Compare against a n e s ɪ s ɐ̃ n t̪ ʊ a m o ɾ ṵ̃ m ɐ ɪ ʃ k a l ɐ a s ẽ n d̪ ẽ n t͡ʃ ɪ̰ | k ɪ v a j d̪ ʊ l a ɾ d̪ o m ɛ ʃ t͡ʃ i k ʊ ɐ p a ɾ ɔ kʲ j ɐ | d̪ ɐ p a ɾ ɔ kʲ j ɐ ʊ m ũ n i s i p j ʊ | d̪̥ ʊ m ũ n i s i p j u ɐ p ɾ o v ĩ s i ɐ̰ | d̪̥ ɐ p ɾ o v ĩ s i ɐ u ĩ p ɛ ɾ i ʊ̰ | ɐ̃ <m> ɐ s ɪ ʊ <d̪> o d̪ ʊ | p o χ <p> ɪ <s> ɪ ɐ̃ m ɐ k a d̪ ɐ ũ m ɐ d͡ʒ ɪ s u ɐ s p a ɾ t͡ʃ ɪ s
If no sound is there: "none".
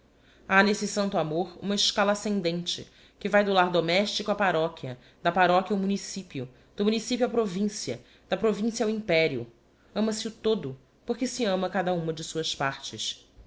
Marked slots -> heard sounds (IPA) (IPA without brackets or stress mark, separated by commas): m, t̪, k, s